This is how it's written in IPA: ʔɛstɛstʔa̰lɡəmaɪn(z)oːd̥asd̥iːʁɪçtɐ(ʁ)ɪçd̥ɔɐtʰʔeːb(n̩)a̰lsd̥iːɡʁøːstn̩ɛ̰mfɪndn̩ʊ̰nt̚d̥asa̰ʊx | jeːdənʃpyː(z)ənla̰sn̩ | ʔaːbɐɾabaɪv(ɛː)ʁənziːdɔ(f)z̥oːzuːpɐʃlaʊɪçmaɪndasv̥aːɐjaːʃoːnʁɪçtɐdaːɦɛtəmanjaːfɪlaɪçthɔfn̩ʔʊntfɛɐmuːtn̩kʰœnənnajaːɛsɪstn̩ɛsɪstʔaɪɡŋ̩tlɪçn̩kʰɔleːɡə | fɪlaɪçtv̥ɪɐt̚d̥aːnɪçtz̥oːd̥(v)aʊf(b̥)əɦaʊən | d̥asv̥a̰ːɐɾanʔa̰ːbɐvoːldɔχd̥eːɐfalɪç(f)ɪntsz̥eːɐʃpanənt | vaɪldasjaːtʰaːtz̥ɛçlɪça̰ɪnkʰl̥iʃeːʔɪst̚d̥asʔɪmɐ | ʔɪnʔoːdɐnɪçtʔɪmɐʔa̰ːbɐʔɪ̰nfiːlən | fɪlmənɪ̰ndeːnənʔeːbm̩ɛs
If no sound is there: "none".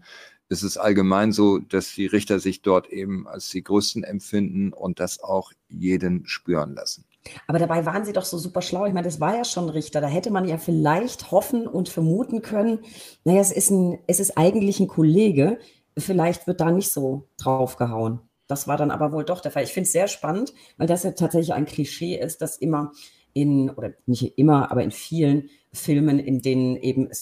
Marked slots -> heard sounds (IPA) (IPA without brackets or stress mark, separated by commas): z, z, m̩, ʁ, aː, χ, ʁ, ɡ̥, f